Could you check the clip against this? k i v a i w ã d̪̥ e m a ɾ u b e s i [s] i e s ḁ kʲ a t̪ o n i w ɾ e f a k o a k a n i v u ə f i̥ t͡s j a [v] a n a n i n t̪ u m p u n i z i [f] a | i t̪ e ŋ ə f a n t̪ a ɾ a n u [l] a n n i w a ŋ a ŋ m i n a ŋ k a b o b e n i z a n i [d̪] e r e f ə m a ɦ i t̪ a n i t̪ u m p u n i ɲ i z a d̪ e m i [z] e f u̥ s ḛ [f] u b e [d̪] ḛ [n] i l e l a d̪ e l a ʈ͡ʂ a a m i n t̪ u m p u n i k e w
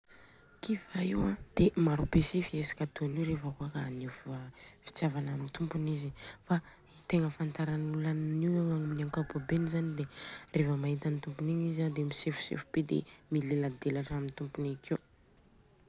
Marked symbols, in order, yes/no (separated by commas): no, yes, yes, yes, yes, no, yes, yes, no